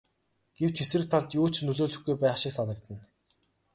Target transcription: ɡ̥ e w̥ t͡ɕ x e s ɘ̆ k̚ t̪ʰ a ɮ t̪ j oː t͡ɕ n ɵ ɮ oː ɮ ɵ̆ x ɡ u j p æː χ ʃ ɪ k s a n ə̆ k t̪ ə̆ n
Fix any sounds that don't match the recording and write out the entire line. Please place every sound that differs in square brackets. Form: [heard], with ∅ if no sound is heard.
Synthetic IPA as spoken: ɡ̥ e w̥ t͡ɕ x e s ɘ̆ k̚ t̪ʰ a ɮ t̪ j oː t͡ɕ n ɵ ɮ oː ɮ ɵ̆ x ɡ u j p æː χ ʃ ɪ k s a n ə̆ k t̪ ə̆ n